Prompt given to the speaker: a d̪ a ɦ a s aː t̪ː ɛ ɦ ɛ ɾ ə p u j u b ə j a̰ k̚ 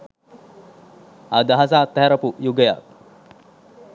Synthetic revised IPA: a d̪ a ɦ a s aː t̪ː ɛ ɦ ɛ ɾ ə p u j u ɡ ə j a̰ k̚